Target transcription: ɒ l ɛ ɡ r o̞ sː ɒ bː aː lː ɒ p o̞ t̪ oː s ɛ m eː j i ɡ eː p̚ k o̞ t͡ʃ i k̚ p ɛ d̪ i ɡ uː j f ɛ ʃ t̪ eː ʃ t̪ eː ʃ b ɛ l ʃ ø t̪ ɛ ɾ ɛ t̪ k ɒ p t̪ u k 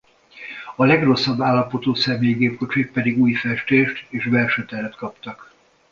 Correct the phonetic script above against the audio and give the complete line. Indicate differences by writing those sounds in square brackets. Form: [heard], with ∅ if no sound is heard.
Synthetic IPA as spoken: ɒ l ɛ ɡ r o̞ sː ɒ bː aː lː ɒ p o̞ t̪ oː s ɛ m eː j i ɡ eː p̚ k o̞ t͡ʃ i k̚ p ɛ d̪ i ɡ uː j f ɛ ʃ t̪ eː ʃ t̪ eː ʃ b ɛ l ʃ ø t̪ ɛ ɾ ɛ t̪ k ɒ p t̪ [ɒ] k

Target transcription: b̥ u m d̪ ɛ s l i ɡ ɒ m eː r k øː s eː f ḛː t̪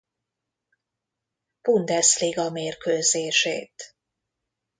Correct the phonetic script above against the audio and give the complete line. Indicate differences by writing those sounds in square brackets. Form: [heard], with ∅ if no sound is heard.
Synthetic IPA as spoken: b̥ u [n] d̪ ɛ s l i ɡ ɒ m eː r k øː [z] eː [ʃ] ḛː t̪

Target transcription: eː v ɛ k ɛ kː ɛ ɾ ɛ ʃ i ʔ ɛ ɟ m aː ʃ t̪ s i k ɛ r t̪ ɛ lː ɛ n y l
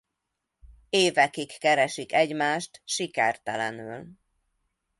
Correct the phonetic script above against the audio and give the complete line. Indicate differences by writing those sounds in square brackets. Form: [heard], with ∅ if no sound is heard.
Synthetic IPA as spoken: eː v ɛ k [i] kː ɛ ɾ ɛ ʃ i [k] ɛ ɟ m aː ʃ t̪ [ʃ] i k ɛ r t̪ ɛ [l] ɛ n y l

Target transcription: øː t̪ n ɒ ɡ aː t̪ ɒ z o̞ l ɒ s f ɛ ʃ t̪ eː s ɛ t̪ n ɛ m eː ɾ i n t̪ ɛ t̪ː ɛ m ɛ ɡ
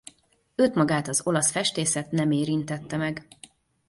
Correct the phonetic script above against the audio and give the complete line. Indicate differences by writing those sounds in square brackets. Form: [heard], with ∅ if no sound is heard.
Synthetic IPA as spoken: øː t̪ [m] ɒ ɡ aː t̪ ɒ z o̞ l ɒ s f ɛ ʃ t̪ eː s ɛ t̪ n ɛ m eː ɾ i n t̪ ɛ t̪ː ɛ m ɛ ɡ

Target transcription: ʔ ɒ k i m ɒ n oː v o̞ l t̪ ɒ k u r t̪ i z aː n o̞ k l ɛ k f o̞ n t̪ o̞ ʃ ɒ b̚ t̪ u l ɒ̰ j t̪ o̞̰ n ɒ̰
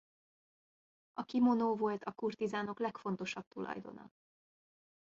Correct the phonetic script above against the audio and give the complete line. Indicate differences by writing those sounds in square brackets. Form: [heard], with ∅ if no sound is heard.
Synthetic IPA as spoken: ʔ ɒ k i m [o] n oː v o̞ l t̪ ɒ k u r t̪ i z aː n o̞ k l ɛ k f o̞ n t̪ o̞ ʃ ɒ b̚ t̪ u l ɒ̰ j [d̪] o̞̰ n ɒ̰

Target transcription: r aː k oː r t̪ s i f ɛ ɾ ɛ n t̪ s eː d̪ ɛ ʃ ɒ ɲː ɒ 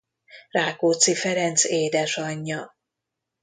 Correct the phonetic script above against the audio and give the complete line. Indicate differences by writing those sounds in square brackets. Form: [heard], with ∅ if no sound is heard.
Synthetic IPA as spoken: r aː k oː [∅] t̪ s i f ɛ ɾ ɛ n t̪ s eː d̪ ɛ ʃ ɒ ɲː ɒ

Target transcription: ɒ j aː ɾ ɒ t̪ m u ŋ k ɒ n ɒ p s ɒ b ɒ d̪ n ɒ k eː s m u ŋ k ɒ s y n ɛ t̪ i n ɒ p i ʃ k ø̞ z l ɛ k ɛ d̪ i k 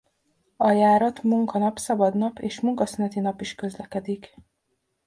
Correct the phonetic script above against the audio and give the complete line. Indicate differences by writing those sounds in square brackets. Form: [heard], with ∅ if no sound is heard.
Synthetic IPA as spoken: ɒ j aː ɾ ɒ t̪ m u ŋ k ɒ n ɒ p s ɒ b ɒ d̪ n ɒ [p] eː [ʃ] m u ŋ k ɒ s y n ɛ t̪ i n ɒ p i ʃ k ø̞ z l ɛ k ɛ d̪ i k

